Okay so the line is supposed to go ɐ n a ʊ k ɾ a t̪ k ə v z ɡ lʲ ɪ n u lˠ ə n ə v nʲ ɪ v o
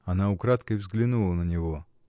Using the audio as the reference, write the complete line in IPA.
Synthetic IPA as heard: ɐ n a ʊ k ɾ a t̪ k ə v z ɡ lʲ ɪ n u lˠ ə n ə nʲ ɪ v o